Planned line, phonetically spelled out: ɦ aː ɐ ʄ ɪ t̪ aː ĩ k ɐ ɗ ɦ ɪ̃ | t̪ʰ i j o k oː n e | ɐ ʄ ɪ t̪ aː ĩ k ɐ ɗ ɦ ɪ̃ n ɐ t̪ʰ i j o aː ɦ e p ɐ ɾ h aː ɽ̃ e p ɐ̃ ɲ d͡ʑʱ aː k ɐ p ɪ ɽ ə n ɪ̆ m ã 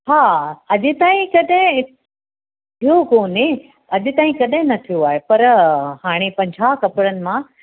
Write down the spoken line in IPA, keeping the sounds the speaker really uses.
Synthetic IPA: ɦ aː ɐ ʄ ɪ t̪ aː ĩ k ɐ ɗ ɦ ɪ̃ | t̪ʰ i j o k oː n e | ɐ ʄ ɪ t̪ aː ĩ k ɐ ɗ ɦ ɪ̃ n ɐ t̪ʰ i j o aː ɦ e p ɐ ɾ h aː ɽ̃ e p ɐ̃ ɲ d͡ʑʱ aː k ɐ p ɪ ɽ ə n ɪ̆ m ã